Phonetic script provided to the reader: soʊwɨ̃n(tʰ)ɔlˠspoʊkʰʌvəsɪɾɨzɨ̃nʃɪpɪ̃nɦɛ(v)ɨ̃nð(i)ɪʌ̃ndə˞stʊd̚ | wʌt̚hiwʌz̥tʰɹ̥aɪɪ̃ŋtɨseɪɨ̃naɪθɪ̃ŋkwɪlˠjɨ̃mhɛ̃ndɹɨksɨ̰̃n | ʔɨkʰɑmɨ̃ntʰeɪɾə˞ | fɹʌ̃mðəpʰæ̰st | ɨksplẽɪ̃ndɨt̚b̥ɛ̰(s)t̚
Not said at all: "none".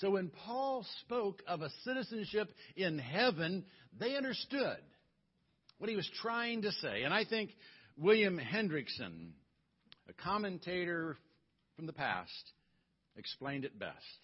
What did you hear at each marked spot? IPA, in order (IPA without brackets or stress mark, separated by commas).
pʰ, v, e, s